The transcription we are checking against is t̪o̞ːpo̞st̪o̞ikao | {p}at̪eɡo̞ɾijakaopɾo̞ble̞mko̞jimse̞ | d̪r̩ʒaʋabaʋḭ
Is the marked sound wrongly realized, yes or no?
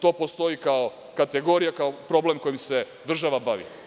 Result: yes